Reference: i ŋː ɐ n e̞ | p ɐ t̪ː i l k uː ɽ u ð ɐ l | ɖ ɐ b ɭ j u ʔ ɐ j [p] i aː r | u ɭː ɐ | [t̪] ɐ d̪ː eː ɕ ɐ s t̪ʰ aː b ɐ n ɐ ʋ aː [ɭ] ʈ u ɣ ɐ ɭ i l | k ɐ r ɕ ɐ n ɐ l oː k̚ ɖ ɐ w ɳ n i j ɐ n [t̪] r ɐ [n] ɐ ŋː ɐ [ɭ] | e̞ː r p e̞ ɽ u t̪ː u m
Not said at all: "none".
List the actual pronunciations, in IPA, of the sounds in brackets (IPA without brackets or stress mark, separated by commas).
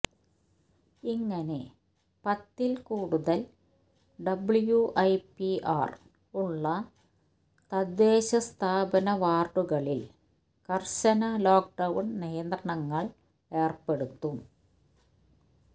p, t̪, r, d̪, ɳ, ɭ